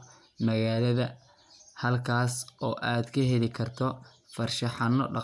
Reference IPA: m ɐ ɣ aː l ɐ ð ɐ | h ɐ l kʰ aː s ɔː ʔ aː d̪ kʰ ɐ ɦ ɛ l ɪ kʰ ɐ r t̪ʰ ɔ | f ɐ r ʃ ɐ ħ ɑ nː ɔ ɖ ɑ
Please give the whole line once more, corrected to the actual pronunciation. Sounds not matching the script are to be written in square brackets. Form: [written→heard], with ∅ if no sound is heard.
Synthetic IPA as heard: m ɐ ɣ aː l ɐ ð ɐ | h ɐ l kʰ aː s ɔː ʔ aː d̪ kʰ ɐ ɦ ɛ l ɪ kʰ ɐ r t̪ʰ ɔ | f ɐ r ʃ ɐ ħ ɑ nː ɔ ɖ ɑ